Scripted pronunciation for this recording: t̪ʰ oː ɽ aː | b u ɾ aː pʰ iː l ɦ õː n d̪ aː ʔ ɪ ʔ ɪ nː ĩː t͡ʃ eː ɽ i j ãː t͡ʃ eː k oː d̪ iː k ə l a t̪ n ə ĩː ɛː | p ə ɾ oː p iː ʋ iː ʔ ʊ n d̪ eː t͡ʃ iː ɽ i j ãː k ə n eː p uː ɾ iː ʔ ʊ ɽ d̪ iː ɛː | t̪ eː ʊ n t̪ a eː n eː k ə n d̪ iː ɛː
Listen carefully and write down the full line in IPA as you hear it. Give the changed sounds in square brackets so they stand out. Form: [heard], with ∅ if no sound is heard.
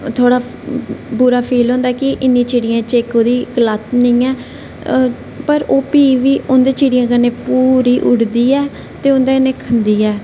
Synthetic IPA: t̪ʰ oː ɽ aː | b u ɾ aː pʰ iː l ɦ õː n d̪ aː [k] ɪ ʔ ɪ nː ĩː t͡ʃ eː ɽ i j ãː t͡ʃ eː k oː d̪ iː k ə l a t̪ n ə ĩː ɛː | p ə ɾ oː p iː ʋ iː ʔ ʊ n d̪ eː t͡ʃ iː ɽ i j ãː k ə n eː p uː ɾ iː ʔ ʊ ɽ d̪ iː ɛː | t̪ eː ʊ n [d̪] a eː n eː [kʰ] ə n d̪ iː ɛː